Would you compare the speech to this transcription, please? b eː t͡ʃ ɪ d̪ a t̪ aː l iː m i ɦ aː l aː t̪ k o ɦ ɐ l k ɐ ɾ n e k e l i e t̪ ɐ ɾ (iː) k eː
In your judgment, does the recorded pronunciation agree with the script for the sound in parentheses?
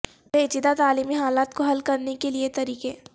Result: yes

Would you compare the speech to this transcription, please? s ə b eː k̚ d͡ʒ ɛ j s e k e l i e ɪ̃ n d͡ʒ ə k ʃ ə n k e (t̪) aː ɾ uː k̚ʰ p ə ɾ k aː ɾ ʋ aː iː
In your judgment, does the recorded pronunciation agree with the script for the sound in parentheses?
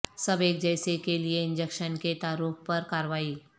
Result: yes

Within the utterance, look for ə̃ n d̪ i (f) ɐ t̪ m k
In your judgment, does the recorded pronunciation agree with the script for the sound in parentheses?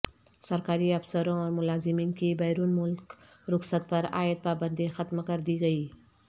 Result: no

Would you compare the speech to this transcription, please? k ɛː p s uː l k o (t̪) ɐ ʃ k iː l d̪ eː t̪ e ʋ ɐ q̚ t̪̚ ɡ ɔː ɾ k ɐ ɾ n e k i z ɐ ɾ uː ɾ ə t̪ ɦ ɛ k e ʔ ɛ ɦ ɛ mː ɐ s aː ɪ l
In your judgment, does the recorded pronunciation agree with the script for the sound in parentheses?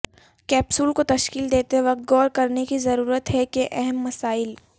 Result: yes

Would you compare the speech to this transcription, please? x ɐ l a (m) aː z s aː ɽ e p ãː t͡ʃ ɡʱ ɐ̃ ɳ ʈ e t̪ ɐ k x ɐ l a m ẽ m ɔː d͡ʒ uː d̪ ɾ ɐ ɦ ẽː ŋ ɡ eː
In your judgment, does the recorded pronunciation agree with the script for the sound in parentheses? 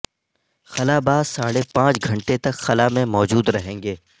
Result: no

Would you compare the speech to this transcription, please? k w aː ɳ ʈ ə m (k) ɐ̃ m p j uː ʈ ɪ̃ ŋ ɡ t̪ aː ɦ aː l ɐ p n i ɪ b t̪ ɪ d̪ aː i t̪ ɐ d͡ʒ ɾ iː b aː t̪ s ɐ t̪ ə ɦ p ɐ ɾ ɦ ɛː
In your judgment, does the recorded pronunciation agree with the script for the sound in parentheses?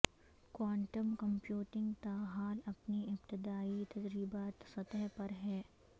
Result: yes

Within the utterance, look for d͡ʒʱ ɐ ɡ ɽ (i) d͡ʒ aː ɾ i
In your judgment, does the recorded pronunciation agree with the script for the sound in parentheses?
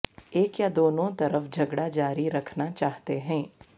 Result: no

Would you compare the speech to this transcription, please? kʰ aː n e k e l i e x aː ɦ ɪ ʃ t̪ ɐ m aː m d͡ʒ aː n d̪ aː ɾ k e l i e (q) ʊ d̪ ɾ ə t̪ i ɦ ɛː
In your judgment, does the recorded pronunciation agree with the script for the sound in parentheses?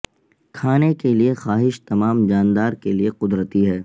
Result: yes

